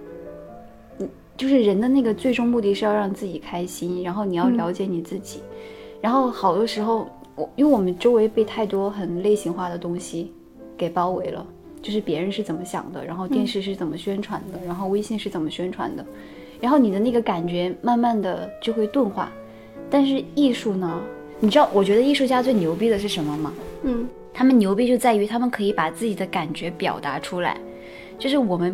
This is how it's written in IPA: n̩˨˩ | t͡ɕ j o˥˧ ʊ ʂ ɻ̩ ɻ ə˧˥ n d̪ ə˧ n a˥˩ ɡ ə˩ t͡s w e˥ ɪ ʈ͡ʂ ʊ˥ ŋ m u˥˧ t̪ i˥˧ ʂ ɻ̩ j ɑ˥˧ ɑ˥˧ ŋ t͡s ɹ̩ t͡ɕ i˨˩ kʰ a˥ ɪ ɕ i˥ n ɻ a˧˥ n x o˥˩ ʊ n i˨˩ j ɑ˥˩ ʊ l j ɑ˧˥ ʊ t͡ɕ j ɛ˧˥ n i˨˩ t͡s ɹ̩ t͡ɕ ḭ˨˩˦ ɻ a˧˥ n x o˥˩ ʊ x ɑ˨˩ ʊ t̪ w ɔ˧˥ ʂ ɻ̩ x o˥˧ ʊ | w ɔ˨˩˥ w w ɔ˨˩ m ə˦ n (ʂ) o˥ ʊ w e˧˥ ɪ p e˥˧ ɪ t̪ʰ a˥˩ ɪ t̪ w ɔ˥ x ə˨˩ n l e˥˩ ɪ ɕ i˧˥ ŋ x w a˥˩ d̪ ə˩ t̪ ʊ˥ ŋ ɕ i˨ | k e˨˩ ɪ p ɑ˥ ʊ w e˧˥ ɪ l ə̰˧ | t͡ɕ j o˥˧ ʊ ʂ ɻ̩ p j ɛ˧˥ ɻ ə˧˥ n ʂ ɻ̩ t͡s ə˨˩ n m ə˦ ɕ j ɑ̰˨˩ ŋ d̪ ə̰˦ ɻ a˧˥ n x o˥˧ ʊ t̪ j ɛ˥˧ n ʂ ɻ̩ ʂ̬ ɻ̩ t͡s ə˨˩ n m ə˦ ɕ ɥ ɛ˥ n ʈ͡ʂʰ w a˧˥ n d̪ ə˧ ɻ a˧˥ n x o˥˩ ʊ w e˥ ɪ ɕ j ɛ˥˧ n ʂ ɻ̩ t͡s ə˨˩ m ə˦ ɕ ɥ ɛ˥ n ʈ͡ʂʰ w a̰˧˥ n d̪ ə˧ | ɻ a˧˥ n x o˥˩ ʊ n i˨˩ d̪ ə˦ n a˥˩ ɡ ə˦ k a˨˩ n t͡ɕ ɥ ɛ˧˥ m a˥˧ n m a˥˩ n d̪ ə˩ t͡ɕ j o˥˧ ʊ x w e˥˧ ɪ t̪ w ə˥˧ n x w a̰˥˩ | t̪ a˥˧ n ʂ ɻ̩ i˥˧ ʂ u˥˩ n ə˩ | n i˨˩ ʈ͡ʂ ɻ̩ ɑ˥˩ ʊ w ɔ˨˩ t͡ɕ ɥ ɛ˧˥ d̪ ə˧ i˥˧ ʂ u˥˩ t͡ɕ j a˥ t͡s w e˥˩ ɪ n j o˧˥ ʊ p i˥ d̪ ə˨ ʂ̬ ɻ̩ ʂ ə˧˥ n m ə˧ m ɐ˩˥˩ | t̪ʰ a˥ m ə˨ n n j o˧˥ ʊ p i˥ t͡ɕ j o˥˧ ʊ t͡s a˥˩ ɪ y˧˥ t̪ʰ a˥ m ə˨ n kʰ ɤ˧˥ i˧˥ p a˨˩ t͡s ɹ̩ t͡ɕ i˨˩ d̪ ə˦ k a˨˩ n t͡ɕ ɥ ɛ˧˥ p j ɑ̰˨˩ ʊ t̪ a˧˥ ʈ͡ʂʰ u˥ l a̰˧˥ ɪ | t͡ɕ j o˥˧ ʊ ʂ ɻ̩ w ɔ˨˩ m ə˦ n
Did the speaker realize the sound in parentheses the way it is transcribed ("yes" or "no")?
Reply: no